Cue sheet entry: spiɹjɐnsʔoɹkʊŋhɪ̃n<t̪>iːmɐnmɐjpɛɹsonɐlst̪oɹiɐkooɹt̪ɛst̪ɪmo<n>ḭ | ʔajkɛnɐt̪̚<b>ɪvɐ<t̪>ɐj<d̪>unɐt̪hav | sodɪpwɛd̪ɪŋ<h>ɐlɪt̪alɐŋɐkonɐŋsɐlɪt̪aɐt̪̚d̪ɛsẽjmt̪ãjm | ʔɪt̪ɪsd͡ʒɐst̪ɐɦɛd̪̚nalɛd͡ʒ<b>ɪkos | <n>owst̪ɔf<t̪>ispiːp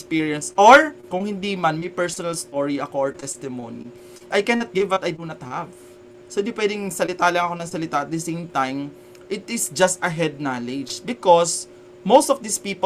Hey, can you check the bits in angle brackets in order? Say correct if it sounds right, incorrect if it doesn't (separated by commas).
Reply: incorrect, correct, incorrect, correct, correct, incorrect, correct, incorrect, incorrect